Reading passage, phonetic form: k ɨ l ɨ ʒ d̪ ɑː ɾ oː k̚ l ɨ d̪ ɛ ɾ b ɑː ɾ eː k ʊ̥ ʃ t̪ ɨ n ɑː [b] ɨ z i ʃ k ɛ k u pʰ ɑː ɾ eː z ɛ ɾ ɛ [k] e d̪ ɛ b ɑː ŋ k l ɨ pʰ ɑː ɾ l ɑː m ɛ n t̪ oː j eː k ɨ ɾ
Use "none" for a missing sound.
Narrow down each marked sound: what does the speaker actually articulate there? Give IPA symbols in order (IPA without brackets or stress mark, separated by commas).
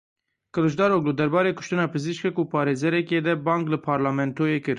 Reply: p, k